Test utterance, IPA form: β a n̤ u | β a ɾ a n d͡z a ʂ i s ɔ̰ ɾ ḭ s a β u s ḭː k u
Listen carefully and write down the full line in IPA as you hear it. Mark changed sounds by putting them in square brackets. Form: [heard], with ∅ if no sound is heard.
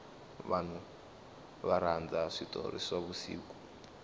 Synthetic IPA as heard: β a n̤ u | β a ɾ a n d͡z a ʂ i [t] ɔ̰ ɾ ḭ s a β u s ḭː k u